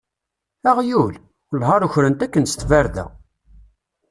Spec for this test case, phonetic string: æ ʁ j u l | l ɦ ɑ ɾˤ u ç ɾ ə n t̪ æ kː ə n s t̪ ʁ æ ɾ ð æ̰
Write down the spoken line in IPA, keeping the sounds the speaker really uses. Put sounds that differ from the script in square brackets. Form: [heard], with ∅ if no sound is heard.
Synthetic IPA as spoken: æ ʁ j u l | l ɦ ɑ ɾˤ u ç ɾ ə n t̪ æ kː ə n s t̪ [v] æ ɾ ð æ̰